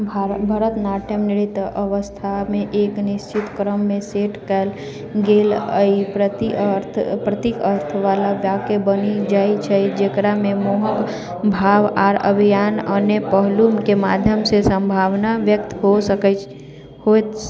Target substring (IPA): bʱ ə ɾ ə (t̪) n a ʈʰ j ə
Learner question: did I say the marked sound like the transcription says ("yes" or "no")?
yes